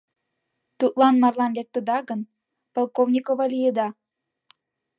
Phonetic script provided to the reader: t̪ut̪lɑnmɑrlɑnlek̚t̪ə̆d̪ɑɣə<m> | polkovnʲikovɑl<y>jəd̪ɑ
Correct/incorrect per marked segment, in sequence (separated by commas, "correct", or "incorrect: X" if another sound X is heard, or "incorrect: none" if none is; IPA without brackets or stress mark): incorrect: n, incorrect: i